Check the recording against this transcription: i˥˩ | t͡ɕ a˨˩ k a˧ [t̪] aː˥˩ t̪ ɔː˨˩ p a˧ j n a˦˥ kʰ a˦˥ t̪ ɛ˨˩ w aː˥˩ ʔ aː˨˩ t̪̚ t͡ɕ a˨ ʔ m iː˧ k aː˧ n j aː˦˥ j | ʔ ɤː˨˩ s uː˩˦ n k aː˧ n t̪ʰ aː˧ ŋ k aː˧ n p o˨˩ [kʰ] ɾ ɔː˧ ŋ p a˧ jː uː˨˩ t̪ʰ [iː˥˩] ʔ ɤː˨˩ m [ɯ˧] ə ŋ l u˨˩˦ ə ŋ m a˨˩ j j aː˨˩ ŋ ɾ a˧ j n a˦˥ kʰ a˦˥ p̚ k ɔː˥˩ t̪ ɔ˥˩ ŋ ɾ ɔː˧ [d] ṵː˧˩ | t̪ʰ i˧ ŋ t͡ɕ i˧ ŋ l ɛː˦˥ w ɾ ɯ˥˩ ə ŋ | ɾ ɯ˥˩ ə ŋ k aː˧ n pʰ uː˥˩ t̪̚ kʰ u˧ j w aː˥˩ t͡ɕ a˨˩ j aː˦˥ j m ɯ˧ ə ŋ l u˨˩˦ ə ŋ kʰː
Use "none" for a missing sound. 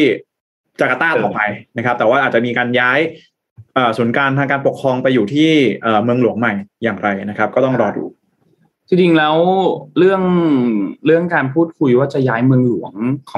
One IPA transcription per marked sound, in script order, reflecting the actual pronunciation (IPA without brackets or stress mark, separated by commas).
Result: t̪, kʰ, iː˥˩, ɯ˧, d